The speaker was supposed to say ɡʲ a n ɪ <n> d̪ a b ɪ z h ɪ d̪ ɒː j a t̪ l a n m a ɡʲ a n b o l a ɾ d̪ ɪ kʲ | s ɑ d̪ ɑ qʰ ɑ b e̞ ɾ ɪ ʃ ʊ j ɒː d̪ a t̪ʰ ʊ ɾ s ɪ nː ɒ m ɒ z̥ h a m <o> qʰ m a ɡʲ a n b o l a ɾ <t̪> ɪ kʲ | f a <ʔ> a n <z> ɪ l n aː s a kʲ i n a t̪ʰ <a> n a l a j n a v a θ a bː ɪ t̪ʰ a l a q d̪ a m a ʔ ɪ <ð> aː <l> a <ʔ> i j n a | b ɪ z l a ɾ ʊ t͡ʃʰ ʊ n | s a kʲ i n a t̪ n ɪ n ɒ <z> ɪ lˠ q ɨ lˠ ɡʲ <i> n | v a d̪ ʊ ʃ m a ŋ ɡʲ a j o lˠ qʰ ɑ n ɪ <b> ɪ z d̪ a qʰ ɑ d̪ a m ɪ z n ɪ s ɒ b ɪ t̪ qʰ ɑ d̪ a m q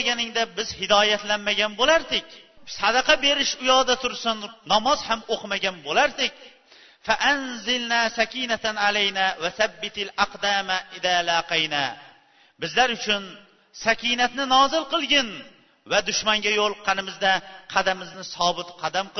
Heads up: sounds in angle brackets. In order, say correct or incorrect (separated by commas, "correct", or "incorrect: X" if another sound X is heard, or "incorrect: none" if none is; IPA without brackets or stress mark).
incorrect: ŋ, correct, incorrect: d̪, correct, correct, correct, correct, correct, incorrect: q, correct, incorrect: ɪ, incorrect: m